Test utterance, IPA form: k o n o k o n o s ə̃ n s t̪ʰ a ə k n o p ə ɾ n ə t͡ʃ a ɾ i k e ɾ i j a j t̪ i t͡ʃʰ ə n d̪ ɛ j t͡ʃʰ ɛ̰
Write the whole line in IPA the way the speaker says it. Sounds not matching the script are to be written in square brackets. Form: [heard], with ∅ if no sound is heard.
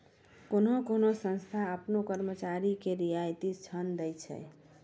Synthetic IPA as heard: k o n o k o n o s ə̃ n s t̪ʰ a ə [p] n o [k] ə ɾ [m] ə t͡ʃ a ɾ i k e ɾ i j a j t̪ i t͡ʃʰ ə n d̪ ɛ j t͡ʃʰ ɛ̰

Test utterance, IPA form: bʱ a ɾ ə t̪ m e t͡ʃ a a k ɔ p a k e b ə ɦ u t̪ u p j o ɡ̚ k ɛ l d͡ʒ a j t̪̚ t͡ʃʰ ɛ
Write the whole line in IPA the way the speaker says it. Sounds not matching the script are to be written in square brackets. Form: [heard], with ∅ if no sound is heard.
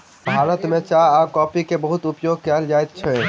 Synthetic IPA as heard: bʱ a ɾ ə t̪ m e t͡ʃ a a k ɔ p [i] k e b ə ɦ u t̪ u p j o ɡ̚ k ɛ l d͡ʒ a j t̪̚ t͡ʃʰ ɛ

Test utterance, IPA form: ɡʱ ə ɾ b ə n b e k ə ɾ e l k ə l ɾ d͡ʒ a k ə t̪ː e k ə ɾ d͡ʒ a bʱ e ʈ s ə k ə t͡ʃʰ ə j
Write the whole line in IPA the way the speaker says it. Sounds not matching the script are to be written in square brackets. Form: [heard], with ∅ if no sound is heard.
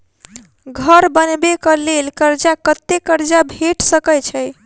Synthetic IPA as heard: ɡʱ ə ɾ b ə n b e k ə [l] e l k ə [∅] ɾ d͡ʒ a k ə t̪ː e k ə ɾ d͡ʒ a bʱ e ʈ s ə k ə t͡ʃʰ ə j

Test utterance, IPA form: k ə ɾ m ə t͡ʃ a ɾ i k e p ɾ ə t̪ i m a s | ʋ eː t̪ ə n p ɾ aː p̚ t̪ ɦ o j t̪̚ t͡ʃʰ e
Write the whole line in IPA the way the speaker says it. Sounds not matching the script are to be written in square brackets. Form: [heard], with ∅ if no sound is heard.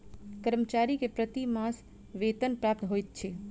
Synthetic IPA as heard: k ə ɾ m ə t͡ʃ a ɾ i k e p ɾ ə t̪ i m a s | ʋ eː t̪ ə n p ɾ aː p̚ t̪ ɦ o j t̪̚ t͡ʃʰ e

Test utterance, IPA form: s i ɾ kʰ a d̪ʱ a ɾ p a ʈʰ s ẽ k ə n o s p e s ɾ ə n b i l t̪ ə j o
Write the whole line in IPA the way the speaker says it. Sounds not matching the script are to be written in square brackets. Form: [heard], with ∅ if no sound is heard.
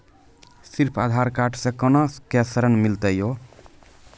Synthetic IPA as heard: s i ɾ [pʰ] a d̪ʱ a ɾ [k] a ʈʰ s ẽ k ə n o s [k] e s ɾ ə n [m] i l t̪ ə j o

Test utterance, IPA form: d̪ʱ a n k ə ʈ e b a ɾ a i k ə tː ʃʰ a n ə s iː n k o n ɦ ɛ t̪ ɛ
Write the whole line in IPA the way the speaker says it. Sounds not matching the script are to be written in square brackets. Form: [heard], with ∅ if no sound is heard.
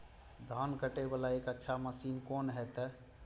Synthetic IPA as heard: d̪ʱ a n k ə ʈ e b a [l] a [e] k ə tː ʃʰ a [m] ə s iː n k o n ɦ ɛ t̪ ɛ

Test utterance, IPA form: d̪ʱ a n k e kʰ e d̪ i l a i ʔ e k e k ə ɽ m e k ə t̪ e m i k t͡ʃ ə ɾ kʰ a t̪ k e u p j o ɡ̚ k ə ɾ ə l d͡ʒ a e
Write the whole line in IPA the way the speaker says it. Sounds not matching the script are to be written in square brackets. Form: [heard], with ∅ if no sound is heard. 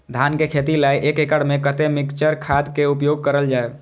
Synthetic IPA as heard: d̪ʱ a n k e kʰ e [t̪] i l a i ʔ e k e k ə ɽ m e k ə t̪ e m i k t͡ʃ ə ɾ kʰ a [d̪] k e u p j o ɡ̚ k ə ɾ ə l d͡ʒ a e

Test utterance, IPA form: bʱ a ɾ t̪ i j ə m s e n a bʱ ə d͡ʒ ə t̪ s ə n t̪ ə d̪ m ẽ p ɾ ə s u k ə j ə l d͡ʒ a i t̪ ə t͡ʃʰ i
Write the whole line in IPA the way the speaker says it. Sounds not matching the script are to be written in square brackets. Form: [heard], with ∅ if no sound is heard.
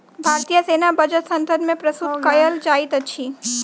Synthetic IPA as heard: bʱ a ɾ t̪ i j ə [∅] s e n a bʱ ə d͡ʒ ə t̪ s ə n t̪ ə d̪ m ẽ p ɾ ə s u k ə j ə l d͡ʒ a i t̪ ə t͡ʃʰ i

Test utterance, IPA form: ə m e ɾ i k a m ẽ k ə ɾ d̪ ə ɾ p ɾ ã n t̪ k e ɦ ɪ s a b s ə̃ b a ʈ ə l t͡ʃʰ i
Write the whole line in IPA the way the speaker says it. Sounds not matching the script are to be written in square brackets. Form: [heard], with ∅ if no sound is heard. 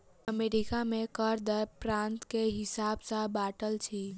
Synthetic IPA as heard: ə m e ɾ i k a m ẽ k ə ɾ d̪ ə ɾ p ɾ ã n t̪ k e ɦ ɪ s a b s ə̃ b a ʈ ə l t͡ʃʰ i

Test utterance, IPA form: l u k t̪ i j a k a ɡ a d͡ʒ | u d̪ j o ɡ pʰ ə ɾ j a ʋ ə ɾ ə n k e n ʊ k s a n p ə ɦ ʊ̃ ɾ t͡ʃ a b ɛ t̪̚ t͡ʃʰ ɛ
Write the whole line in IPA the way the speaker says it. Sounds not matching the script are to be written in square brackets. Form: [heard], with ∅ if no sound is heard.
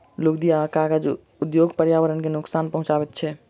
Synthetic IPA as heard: l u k [d̪] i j a k a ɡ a d͡ʒ | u d̪ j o ɡ [p] ə ɾ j a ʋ ə ɾ ə n k e n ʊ k s a n p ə ɦ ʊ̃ [∅] t͡ʃ a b ɛ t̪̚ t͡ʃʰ ɛ

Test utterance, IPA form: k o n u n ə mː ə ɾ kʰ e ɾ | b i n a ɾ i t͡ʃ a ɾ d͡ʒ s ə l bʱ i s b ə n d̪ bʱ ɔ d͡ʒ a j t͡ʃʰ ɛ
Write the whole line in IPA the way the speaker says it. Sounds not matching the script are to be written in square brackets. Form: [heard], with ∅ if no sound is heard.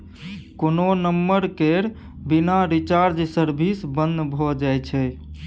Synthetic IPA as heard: k o n [o] n ə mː ə ɾ [k] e ɾ | b i n a ɾ i t͡ʃ a ɾ d͡ʒ s ə [ɾ] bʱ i s b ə n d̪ bʱ ɔ d͡ʒ a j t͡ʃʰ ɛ

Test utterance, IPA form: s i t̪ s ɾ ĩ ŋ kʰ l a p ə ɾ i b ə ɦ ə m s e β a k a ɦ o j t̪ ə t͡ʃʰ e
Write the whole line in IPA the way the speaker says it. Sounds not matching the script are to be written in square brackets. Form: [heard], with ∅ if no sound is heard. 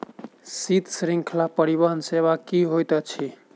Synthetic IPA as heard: s i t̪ s ɾ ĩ ŋ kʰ l a p ə ɾ i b ə ɦ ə [n] s e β a k [i] ɦ o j t̪ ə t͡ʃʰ [i]

